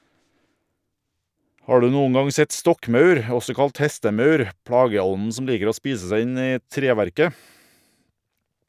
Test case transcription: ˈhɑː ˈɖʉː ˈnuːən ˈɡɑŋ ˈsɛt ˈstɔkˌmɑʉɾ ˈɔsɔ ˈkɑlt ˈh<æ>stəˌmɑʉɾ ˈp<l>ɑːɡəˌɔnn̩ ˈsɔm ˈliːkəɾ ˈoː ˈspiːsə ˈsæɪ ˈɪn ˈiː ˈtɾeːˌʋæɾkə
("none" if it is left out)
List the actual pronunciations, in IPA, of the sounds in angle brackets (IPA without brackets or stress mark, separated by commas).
ɛ, ɽ